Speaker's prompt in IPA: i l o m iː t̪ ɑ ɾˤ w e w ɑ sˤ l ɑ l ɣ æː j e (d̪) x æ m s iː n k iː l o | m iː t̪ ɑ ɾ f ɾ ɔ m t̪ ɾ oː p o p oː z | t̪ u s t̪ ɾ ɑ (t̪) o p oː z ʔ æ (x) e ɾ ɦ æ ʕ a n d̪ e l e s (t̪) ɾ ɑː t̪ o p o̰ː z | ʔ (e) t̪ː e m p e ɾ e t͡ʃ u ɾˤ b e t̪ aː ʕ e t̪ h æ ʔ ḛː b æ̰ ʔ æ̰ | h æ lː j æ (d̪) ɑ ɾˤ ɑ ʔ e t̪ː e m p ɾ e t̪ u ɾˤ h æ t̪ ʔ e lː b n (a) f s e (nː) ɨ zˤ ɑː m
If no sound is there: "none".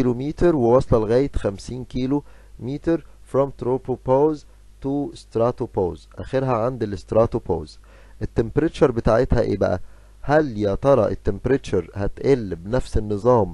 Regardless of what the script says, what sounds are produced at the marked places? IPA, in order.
t̪, t̪, x, t̪, e, t̪, æ, nː

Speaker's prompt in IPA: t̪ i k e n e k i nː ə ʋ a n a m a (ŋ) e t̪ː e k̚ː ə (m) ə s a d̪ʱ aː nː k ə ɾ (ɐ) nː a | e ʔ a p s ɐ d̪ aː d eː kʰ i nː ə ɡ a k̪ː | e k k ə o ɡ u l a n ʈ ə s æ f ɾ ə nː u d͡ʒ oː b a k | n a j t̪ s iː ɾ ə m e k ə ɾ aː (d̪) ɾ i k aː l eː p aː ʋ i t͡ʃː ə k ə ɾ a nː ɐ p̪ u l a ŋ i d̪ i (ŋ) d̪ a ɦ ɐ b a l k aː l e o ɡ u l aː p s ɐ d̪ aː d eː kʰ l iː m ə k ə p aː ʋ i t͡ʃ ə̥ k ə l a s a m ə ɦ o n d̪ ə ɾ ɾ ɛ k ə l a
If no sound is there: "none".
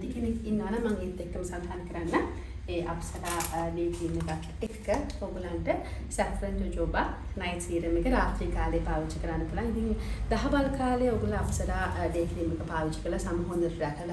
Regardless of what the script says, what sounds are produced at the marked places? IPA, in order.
ŋ, m, a, t̪, ŋ

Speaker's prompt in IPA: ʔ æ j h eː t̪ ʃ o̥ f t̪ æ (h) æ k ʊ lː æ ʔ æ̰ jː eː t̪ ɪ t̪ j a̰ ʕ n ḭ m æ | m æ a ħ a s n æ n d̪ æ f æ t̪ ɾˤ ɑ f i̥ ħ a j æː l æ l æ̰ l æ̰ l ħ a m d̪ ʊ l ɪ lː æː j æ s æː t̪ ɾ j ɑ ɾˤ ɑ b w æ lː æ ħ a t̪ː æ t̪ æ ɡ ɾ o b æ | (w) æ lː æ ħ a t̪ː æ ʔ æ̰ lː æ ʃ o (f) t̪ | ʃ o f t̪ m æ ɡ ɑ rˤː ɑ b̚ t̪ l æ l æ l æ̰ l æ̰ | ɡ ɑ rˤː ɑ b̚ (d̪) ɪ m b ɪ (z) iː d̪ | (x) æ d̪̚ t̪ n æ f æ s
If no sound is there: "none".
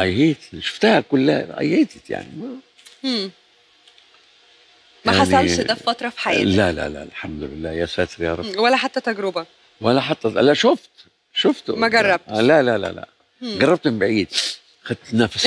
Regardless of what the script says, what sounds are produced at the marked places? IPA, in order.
h, w, f, t̪, ʕ, x

